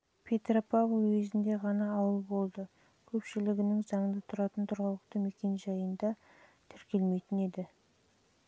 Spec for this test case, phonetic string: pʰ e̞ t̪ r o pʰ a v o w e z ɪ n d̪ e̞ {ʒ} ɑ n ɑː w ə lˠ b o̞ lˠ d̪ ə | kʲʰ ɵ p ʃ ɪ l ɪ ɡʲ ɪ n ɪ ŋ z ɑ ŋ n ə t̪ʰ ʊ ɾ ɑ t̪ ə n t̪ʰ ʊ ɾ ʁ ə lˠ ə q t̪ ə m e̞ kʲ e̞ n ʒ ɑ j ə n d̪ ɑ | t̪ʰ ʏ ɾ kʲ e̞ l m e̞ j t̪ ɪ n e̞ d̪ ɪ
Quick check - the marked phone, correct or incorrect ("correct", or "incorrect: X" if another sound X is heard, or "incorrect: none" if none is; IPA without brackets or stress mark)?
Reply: incorrect: ʁ